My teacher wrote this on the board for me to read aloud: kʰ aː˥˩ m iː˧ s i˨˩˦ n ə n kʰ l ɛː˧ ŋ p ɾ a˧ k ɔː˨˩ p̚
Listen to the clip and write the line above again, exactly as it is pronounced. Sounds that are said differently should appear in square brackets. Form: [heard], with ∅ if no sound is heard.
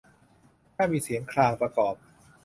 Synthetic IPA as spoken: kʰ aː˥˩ m iː˧ s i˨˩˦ [∅] ə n kʰ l [aː˧] ŋ p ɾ a˧ k ɔː˨˩ p̚